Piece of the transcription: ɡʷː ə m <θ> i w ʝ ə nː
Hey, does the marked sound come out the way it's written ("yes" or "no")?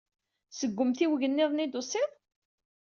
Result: yes